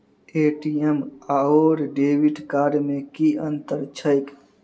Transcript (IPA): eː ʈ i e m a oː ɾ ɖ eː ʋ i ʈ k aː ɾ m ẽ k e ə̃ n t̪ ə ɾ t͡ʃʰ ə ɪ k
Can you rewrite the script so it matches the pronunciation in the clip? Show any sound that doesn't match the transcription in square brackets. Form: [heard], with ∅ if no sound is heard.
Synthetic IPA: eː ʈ i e m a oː ɾ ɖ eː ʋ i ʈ k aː ɾ m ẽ k [i] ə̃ n t̪ ə ɾ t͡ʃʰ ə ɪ k